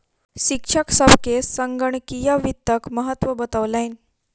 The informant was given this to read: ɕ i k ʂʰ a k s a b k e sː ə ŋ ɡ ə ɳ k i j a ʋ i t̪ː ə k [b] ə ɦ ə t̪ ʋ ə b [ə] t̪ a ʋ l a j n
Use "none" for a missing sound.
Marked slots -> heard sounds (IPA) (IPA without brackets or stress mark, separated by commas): m, ə